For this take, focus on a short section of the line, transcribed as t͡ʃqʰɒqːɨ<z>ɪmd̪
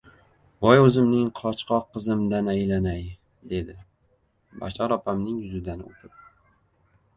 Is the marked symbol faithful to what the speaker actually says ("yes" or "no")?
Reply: yes